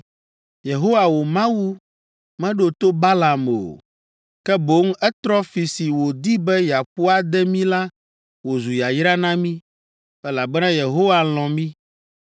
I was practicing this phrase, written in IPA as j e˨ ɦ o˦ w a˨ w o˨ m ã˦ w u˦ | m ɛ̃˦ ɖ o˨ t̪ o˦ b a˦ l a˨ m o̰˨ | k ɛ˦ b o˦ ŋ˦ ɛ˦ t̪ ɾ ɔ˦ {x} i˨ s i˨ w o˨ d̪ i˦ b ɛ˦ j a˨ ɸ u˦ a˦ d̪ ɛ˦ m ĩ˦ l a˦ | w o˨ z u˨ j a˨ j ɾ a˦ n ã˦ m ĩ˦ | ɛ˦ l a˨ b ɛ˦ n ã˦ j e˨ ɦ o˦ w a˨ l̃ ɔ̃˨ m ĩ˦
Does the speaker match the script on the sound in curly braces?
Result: no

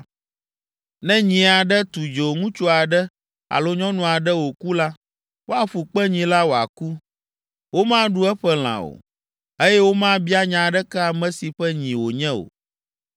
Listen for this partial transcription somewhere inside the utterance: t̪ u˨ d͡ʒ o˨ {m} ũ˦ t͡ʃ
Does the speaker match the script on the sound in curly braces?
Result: no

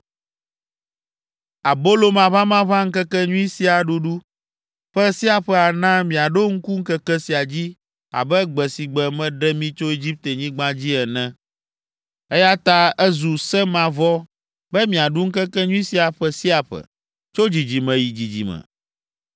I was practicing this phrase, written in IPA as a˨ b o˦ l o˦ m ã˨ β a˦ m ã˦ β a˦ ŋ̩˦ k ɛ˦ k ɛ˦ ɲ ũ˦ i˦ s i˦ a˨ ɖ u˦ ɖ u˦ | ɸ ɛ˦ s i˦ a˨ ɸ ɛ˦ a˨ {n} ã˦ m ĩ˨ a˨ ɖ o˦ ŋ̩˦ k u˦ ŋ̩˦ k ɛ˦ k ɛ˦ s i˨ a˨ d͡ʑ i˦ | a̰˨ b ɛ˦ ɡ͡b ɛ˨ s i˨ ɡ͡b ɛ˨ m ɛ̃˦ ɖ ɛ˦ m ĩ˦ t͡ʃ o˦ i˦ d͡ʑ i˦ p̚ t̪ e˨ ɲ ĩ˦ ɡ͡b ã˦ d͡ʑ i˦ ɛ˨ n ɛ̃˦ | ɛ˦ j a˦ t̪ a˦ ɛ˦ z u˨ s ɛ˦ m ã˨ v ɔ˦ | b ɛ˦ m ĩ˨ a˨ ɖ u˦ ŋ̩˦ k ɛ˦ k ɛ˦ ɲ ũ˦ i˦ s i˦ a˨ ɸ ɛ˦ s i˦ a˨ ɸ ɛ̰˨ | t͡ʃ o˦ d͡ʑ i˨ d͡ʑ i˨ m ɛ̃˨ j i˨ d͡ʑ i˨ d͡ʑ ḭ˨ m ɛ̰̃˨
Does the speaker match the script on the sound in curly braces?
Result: yes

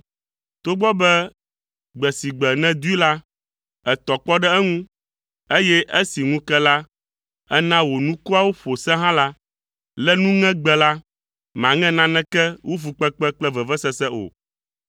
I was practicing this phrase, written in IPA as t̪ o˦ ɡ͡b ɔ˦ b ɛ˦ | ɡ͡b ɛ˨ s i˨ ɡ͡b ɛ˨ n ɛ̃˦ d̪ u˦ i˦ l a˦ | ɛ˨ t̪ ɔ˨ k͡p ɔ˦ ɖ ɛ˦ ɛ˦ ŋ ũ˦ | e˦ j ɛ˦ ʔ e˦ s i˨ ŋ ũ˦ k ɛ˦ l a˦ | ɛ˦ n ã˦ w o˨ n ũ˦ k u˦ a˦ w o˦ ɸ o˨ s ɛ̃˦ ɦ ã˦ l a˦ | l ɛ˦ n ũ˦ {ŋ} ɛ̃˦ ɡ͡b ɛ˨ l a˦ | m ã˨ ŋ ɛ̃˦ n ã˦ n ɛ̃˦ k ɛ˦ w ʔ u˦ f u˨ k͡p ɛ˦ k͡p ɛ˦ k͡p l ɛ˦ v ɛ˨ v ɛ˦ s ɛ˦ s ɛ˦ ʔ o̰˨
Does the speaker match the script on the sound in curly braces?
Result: yes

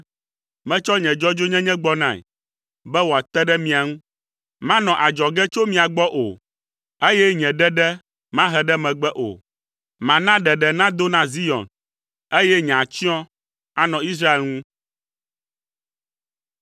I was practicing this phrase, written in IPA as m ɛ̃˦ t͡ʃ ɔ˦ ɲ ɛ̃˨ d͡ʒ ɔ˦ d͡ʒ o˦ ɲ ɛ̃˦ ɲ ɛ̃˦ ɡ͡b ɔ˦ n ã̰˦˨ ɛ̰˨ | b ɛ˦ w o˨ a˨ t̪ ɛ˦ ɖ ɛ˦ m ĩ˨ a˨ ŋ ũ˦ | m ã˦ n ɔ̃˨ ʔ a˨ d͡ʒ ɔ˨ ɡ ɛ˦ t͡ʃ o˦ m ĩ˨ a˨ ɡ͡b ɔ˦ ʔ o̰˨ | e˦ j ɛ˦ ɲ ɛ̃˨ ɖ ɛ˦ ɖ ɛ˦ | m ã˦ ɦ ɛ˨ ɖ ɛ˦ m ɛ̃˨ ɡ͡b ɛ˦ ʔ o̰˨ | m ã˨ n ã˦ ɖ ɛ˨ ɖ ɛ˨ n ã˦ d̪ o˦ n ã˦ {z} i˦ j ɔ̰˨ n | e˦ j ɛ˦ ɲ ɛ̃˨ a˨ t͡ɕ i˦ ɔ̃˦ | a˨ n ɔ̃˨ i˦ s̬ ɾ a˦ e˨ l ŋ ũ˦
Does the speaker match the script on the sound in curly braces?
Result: yes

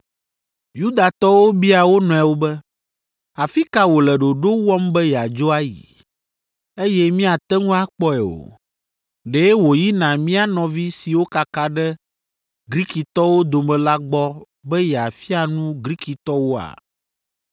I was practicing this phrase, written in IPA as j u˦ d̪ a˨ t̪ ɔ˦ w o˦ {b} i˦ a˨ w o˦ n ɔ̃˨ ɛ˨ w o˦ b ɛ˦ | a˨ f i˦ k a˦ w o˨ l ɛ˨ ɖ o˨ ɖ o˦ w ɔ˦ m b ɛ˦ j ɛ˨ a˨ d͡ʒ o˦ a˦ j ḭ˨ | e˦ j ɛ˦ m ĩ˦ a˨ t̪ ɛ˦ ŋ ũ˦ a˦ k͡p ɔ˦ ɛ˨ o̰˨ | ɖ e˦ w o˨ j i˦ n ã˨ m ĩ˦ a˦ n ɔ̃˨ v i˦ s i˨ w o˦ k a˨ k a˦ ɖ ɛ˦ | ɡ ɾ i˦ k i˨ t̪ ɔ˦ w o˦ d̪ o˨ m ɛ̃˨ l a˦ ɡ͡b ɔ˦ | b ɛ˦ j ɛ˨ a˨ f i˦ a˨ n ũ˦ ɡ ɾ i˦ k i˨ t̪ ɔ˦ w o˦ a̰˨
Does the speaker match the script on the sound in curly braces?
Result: yes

